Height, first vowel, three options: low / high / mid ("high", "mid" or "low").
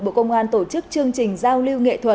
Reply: mid